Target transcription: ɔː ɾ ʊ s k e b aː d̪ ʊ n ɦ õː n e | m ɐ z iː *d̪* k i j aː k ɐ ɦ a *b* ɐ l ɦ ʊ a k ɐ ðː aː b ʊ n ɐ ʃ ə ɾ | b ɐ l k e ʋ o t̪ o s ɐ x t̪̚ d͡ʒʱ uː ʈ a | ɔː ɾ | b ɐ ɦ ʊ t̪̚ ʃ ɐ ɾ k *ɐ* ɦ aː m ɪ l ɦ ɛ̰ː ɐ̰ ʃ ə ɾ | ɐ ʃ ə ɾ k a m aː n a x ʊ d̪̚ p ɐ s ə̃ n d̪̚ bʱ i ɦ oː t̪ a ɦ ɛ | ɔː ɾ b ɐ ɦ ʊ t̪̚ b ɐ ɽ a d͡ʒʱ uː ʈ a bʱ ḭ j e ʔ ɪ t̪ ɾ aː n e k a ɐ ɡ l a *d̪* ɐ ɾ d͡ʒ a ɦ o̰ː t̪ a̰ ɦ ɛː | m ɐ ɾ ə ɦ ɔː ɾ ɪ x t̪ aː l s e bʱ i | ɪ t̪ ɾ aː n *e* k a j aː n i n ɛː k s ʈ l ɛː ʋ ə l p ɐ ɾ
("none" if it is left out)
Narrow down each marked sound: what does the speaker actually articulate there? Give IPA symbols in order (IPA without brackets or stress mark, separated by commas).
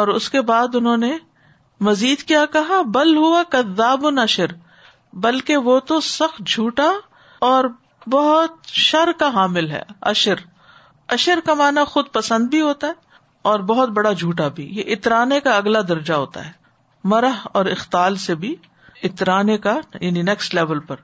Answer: d̪, b, a, d̪, e